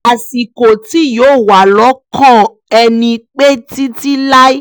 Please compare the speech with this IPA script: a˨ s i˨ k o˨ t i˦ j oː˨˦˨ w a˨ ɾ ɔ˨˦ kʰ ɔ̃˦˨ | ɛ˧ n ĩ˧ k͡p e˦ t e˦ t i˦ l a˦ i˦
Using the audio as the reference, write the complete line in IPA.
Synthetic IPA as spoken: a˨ s i˨ k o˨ t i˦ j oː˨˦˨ w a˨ l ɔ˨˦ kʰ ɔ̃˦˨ | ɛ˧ n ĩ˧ k͡p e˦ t i˦ t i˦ l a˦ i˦